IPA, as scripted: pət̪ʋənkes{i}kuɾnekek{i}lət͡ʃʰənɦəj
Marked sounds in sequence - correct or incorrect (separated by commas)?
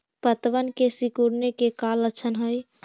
correct, incorrect